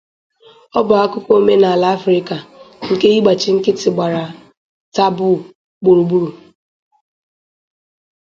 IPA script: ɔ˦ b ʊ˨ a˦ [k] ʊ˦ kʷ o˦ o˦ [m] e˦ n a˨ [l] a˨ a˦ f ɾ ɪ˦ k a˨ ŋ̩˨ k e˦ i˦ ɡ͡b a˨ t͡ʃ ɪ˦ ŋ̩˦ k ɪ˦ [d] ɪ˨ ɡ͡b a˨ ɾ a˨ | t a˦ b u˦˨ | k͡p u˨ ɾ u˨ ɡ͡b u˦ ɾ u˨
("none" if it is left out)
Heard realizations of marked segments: k, m, l, t

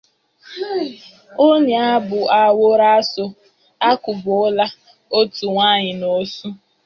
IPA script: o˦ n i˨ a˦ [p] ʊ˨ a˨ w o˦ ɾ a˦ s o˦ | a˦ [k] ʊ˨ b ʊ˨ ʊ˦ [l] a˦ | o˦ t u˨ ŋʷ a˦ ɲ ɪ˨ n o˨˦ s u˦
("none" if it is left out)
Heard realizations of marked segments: b, k, l

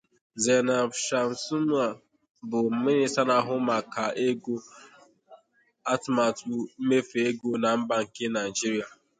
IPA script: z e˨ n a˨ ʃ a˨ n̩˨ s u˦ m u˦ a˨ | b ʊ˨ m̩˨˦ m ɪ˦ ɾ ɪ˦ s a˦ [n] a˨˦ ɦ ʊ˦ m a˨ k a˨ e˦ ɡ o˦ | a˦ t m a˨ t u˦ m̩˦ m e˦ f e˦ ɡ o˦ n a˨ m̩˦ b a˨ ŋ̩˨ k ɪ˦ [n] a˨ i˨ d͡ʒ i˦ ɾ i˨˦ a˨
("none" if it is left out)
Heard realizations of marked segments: n, n

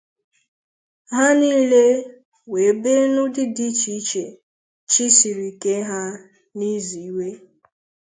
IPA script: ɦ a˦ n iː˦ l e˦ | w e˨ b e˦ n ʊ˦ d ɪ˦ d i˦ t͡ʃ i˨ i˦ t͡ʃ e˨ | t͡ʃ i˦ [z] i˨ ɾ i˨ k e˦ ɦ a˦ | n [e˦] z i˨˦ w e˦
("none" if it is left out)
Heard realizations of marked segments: s, i˦

